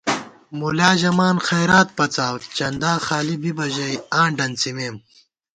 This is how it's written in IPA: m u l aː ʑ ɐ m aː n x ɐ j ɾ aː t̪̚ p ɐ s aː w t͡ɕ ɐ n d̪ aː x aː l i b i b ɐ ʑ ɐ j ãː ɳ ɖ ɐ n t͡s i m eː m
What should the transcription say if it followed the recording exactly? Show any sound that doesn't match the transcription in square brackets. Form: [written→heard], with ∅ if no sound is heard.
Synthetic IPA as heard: m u l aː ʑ ɐ m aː n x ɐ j ɾ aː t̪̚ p ɐ [s→t͡s] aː w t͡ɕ ɐ n d̪ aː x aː l i b i b ɐ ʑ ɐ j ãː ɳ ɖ ɐ n t͡s i m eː m